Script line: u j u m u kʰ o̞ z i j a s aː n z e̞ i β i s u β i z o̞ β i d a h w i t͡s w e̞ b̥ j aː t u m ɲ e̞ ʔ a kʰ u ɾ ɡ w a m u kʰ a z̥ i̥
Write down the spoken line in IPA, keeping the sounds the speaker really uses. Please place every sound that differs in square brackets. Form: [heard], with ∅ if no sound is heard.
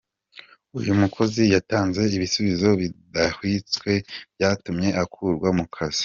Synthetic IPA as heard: u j u m u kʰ o̞ z i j a [t] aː n z e̞ i β i s u β i z o̞ β i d a h w i t͡s w e̞ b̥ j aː t u m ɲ e̞ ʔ a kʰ u ɾ ɡ w a m u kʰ a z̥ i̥

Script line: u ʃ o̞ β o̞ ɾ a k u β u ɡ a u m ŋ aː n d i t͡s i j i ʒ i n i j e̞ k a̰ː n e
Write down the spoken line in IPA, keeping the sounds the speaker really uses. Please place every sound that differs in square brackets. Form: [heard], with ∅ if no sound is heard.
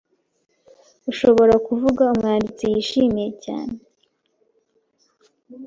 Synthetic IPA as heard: u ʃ o̞ β o̞ ɾ a k u [v] u ɡ a u m ŋ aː n d i t͡s i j i [ʃ] i [m] i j e̞ [c] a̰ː n e

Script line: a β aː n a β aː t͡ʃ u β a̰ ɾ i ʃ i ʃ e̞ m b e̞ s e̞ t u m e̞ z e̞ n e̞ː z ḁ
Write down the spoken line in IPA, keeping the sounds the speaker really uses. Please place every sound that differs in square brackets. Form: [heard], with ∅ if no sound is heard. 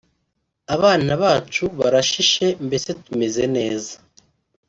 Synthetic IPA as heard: a β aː n a β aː t͡ʃ u β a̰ ɾ [a] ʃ i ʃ e̞ m b e̞ s e̞ t u m e̞ z e̞ n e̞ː z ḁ

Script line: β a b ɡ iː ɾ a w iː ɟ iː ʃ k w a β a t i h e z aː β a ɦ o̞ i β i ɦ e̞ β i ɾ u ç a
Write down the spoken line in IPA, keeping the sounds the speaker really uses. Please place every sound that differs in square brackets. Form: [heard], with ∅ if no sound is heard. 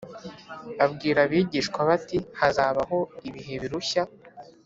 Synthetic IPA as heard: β a b ɡ iː ɾ a [β] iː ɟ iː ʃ k w a β a t i h [a] z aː β a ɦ o̞ i β i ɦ e̞ β i ɾ u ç a

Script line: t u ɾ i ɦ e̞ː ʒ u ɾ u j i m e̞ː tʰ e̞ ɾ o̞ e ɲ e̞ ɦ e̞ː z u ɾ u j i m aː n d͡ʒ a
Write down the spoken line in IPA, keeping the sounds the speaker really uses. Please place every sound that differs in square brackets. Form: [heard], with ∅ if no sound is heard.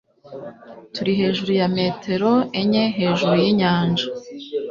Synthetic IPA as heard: t u ɾ i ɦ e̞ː ʒ u ɾ u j [a] m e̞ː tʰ e̞ ɾ o̞ e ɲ e̞ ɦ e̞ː [ʒ] u ɾ u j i [ɲ] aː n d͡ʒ a

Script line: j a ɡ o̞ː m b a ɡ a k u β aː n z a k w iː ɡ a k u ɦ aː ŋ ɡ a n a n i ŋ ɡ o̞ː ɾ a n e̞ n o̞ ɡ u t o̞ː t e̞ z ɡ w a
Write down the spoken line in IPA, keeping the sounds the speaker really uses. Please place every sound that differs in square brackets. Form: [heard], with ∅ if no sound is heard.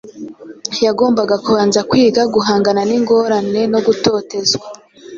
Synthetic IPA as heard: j a ɡ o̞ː m b a ɡ a k u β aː n z a k w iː ɡ a [ɡ] u ɦ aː ŋ ɡ a n a n i ŋ ɡ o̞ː ɾ a n e̞ n o̞ ɡ u t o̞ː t e̞ z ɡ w a

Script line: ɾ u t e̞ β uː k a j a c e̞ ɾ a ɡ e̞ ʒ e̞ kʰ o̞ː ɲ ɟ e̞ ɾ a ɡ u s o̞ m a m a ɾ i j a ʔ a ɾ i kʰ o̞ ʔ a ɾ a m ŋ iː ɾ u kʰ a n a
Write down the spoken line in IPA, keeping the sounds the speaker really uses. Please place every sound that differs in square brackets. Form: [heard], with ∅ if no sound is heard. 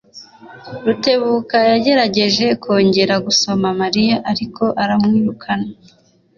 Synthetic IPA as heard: ɾ u t e̞ β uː k a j a [ɟ] e̞ ɾ a [ɟ] e̞ ʒ e̞ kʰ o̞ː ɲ ɟ e̞ ɾ a ɡ u s o̞ m a m a ɾ i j a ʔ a ɾ i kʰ o̞ ʔ a ɾ a m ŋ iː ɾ u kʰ a n a

